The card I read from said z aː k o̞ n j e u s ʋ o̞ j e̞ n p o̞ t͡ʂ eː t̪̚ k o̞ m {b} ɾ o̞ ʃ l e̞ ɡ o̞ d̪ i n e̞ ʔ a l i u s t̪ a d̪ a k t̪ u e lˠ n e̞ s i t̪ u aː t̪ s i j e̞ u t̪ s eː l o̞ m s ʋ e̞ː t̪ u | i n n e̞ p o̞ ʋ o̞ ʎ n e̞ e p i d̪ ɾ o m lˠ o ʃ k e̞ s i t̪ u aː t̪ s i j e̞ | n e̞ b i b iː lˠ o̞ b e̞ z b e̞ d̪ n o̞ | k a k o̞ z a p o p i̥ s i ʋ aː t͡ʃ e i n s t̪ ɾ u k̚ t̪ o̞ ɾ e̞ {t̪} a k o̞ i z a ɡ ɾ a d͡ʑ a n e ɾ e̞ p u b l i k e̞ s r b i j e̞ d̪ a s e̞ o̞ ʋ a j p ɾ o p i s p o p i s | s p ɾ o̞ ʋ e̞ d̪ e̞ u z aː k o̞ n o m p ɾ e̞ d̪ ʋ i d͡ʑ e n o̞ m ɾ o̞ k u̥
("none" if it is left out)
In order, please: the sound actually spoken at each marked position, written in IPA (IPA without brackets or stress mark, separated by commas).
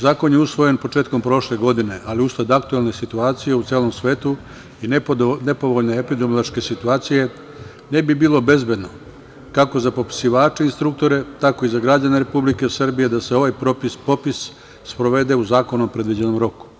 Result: p, t̪